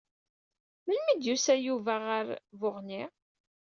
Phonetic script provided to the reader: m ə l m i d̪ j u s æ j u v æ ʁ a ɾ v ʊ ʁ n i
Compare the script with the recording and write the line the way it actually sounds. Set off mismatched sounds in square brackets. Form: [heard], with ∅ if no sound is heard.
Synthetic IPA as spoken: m ə l m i d̪ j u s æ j u v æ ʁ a ɾ v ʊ ʁ n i